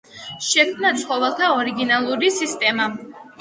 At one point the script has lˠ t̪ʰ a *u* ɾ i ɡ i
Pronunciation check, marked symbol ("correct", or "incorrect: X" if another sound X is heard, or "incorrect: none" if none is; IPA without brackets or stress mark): incorrect: ɔ